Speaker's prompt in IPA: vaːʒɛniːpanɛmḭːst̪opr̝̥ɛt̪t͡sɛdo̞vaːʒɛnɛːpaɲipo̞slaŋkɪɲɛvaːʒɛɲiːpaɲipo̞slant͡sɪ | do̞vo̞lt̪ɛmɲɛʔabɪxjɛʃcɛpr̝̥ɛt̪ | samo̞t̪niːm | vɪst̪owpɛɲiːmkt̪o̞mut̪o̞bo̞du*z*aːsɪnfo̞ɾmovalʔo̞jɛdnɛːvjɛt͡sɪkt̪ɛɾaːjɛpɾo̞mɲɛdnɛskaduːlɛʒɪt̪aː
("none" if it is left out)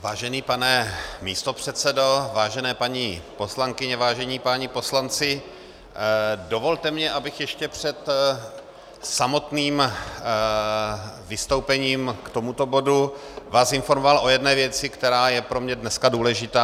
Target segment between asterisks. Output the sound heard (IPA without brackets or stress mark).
v